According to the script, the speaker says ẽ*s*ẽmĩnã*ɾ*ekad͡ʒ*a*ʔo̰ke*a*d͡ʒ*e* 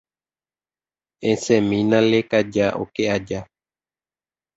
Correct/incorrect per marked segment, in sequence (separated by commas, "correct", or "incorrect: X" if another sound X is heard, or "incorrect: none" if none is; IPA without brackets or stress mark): correct, incorrect: l, correct, correct, incorrect: a